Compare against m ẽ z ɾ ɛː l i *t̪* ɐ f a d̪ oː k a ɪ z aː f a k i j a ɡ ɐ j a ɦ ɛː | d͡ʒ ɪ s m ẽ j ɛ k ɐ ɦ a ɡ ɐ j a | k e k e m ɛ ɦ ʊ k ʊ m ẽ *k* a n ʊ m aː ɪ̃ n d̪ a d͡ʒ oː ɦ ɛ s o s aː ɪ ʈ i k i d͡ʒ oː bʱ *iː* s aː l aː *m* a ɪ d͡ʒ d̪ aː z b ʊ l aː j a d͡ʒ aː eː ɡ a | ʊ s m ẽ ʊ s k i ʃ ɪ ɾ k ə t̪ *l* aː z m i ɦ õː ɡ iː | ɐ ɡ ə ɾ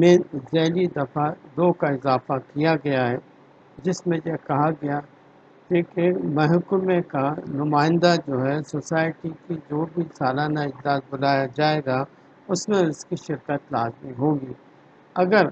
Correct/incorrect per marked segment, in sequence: incorrect: d̪, correct, incorrect: i, incorrect: n, correct

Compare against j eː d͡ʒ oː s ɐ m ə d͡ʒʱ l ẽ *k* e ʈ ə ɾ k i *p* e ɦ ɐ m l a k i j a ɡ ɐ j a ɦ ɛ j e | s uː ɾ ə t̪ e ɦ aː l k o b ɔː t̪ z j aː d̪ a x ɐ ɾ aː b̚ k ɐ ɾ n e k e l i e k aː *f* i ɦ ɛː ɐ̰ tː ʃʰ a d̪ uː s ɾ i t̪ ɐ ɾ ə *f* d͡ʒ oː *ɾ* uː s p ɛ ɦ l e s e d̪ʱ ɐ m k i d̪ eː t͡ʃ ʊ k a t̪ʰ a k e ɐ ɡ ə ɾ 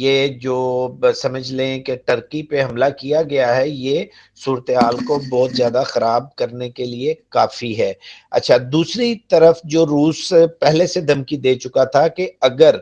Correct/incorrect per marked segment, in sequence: correct, correct, correct, correct, correct

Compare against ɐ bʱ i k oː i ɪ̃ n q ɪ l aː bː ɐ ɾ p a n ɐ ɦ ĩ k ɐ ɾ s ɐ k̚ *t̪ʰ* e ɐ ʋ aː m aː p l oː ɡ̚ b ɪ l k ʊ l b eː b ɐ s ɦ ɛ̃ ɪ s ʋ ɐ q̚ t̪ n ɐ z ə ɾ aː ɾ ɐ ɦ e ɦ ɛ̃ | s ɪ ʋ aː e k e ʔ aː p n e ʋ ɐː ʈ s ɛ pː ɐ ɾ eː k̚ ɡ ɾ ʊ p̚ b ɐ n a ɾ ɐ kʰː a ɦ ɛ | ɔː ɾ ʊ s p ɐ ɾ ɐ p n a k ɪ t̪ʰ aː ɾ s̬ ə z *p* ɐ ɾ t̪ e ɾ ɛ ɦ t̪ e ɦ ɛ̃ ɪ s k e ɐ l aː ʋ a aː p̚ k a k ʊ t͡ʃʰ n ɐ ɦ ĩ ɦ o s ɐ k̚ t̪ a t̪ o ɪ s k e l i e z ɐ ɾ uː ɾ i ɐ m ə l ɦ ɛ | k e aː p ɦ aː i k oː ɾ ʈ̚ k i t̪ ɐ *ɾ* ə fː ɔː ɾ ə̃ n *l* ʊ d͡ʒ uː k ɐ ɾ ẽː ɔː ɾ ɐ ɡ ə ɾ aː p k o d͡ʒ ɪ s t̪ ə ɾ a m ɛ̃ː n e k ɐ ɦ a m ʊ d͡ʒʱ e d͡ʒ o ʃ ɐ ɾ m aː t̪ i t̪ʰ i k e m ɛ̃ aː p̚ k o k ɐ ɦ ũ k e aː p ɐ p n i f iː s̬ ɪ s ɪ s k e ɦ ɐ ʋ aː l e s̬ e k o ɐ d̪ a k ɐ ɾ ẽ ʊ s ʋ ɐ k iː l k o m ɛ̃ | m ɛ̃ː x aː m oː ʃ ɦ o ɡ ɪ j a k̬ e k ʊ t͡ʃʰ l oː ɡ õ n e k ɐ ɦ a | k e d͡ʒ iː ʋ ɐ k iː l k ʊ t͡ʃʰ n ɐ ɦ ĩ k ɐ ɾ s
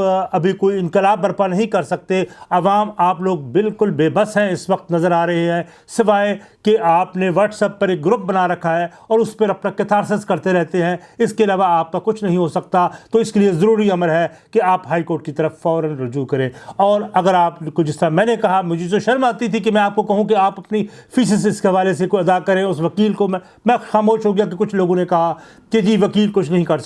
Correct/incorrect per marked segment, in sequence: incorrect: t̪, incorrect: k, correct, incorrect: ɾ

